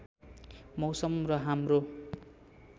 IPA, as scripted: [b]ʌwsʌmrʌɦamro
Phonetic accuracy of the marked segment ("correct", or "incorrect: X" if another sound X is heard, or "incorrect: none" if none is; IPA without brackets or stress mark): incorrect: m